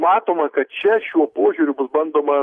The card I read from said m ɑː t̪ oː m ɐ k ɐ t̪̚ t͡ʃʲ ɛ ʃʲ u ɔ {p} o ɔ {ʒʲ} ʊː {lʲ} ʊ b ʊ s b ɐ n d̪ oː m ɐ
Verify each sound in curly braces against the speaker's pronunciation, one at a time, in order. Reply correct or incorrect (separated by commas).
correct, correct, incorrect